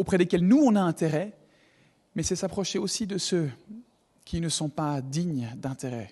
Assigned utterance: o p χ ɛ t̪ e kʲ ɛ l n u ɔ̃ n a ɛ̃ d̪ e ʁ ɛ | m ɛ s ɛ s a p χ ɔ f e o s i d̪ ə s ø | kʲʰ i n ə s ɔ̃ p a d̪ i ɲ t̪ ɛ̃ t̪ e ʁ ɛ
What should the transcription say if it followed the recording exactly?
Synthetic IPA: o p χ ɛ d̪ e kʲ ɛ l n u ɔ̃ n a ɛ̃ t̪ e ʁ ɛ | m ɛ s ɛ s a p χ ɔ ʃ e o s i d̪ ə s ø | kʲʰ i n ə s ɔ̃ p a d̪ i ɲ d̪ ɛ̃ t̪ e ʁ ɛ